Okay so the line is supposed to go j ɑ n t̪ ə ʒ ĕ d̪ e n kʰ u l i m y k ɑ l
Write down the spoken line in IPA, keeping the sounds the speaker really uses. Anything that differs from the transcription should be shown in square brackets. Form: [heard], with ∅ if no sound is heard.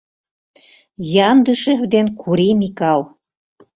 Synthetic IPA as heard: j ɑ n [d̪] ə [ʃ] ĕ d̪ e n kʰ u [ɾ] i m [i] k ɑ l